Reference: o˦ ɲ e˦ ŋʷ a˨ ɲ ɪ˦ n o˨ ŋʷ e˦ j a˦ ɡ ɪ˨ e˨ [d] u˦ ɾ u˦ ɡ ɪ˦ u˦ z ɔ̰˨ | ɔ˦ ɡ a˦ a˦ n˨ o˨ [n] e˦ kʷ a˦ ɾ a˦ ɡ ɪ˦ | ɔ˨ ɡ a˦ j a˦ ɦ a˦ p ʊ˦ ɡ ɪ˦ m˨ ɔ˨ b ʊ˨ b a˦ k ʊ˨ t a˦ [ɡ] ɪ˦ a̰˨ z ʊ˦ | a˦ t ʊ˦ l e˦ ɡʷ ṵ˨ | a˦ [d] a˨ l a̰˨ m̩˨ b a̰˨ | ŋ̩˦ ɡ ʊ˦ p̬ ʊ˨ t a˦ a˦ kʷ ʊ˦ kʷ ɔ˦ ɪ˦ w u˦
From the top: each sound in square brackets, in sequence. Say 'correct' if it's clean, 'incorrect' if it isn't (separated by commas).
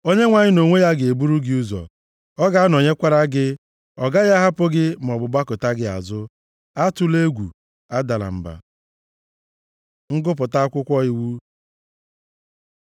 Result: incorrect, incorrect, correct, correct